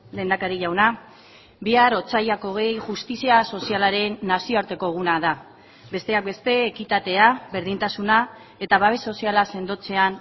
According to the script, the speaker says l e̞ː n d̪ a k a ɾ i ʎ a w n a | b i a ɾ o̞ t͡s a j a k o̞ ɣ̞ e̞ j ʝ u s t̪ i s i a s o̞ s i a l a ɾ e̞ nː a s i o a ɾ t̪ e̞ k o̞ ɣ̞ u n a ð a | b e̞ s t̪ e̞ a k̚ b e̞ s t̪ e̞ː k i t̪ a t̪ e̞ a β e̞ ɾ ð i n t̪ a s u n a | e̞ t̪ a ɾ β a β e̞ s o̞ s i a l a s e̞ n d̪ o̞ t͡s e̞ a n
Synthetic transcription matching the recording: l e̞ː n d̪ a k a ɾ i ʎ a w n a | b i a ɾ o̞ t͡s a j a k o̞ ɣ̞ e̞ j ʝ u s t̪ i s i a s o̞ s i a l a ɾ e̞ nː a s i o a ɾ t̪ e̞ k o̞ ɣ̞ u n a ð a | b e̞ s t̪ e̞ a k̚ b e̞ s t̪ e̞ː k i t̪ a t̪ e̞ a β e̞ ɾ ð i n t̪ a s u n a | e̞ t̪ a β a β e̞ s o̞ s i a l a s e̞ n d̪ o̞ t͡s e̞ a n

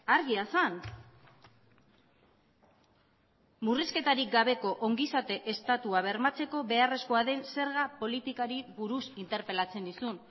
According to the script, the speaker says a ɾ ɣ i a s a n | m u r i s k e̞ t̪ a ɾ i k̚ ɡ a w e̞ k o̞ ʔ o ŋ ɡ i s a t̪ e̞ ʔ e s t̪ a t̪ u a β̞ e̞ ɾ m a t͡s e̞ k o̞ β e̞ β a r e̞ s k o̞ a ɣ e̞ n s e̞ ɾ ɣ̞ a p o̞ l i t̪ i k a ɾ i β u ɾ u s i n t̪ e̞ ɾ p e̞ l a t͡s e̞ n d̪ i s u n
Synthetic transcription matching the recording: a ɾ ɣ i a s a n | m u r i s k e̞ t̪ a ɾ i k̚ ɡ a β e̞ k o̞ ʔ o ŋ ɡ i s a t̪ e̞ ʔ e s t̪ a t̪ u a β̞ e̞ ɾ m a t͡s e̞ k o̞ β e̞ a r e̞ s k o̞ a ð e̞ n s e̞ ɾ ɣ̞ a p o̞ l i t̪ i k a ɾ i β u ɾ u s i n t̪ e̞ ɾ p e̞ l a t͡s e̞ n d̪ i s u n

